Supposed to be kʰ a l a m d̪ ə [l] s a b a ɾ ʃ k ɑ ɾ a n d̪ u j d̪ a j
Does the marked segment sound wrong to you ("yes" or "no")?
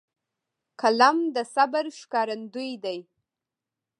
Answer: yes